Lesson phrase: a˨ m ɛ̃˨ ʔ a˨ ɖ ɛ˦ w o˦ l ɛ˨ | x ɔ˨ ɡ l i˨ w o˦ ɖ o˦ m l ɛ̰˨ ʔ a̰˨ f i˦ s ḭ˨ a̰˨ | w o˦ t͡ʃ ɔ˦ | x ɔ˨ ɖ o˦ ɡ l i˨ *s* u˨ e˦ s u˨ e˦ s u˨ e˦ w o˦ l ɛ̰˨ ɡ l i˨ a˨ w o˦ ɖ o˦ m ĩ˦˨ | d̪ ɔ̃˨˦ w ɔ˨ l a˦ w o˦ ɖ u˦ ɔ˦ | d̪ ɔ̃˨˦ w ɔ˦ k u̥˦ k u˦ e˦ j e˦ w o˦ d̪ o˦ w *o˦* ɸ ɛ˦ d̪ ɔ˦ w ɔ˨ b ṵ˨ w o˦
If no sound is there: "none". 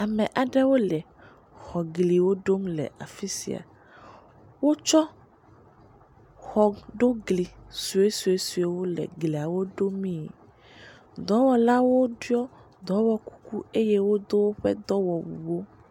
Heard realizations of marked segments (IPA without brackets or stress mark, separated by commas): s, o˦